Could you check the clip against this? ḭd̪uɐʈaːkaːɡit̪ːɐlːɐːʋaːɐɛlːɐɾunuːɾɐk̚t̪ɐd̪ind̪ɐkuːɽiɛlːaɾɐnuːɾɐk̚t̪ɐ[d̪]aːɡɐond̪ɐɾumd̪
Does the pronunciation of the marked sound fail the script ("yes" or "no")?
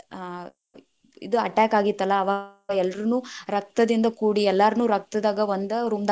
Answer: no